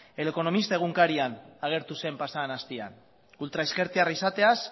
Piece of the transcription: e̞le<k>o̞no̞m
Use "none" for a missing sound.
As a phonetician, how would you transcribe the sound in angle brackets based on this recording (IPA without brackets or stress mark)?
k